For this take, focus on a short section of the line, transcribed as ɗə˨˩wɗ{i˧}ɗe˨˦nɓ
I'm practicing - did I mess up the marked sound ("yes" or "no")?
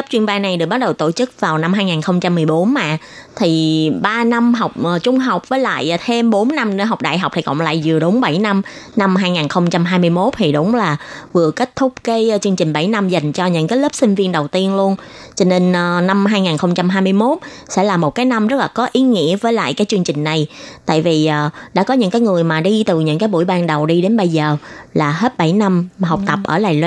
no